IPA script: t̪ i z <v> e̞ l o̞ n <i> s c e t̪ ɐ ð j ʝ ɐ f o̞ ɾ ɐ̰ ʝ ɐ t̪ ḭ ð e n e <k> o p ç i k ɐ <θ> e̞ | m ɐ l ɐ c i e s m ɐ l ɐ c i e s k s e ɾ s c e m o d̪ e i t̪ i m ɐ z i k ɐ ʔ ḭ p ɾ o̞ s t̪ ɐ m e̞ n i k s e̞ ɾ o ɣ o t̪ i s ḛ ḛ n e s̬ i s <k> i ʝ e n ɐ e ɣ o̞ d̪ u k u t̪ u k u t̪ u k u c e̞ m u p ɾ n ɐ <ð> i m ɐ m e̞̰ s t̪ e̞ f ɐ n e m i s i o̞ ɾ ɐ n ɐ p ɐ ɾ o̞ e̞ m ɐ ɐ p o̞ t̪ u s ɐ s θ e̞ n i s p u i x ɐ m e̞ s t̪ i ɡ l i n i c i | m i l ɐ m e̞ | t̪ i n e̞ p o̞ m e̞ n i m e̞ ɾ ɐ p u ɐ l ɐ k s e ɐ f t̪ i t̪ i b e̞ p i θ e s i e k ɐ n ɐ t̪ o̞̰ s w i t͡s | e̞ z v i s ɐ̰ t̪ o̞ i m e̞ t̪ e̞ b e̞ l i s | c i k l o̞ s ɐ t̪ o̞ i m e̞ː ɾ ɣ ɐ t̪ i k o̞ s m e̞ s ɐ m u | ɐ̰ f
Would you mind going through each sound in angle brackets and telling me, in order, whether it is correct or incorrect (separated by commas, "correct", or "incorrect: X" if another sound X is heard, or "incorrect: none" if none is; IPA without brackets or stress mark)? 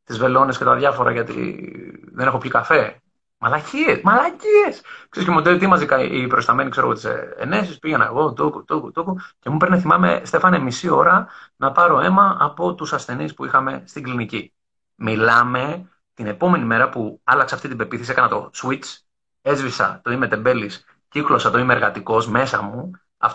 correct, incorrect: e, incorrect: x, incorrect: f, incorrect: p, incorrect: θ